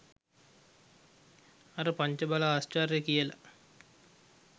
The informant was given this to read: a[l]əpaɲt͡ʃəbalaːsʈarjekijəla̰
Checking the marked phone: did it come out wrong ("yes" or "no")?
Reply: yes